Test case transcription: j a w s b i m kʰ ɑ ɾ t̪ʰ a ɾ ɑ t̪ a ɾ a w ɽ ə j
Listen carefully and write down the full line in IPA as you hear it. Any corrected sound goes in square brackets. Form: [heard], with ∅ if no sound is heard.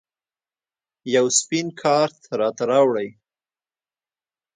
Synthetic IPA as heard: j a w s [p] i [n] kʰ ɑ ɾ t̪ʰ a ɾ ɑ t̪ a ɾ [ɑ] w ɽ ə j